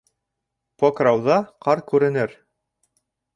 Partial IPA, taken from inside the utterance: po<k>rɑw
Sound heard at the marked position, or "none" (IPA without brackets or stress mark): k